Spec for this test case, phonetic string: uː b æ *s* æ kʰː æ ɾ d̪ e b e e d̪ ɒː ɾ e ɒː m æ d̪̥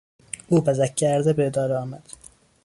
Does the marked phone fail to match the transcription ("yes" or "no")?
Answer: yes